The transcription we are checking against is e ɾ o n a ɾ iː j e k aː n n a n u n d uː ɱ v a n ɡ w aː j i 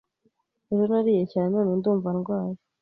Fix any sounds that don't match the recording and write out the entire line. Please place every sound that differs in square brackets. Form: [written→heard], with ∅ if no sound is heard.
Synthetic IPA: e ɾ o n a ɾ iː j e [k→c] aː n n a n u n d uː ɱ v a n ɡ w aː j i